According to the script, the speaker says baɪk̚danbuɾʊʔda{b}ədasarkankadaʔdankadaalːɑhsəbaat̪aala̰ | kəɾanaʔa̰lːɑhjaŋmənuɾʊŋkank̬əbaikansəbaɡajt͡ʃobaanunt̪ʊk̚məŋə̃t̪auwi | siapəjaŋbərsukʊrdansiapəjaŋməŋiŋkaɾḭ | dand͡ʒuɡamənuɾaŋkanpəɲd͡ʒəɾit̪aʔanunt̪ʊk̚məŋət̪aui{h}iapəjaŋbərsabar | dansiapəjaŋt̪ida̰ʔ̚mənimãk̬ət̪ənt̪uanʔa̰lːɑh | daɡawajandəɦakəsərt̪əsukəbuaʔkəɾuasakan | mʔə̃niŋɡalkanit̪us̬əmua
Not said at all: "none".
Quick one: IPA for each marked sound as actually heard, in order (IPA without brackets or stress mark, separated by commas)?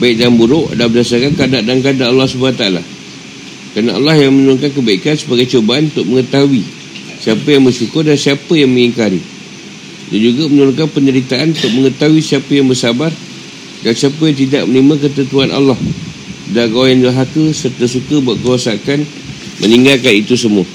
b, s